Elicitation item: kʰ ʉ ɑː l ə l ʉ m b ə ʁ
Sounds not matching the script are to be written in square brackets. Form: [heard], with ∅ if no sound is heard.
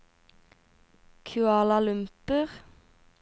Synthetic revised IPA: kʰ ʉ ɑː l [ɑ] l ʉ m [p] ə ʁ